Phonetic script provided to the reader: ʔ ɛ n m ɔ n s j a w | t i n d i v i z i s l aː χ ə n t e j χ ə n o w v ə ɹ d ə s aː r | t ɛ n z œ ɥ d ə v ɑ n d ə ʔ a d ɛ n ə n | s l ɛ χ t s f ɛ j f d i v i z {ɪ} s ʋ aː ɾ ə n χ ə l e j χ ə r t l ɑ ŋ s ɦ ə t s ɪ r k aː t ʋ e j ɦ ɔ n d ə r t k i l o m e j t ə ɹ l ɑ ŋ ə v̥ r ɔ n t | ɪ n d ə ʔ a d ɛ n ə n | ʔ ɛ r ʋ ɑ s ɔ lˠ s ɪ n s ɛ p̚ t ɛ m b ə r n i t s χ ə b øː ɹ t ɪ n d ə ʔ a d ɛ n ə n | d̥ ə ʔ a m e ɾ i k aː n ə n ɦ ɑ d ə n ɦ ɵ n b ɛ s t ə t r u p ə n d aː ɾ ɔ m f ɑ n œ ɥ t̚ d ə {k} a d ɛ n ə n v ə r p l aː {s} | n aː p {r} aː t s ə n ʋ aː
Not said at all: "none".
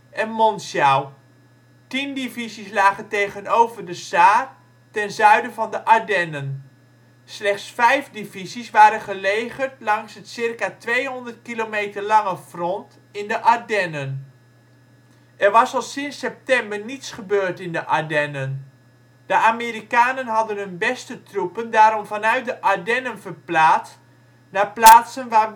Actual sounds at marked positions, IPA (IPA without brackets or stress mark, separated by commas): i, ʔ, t, l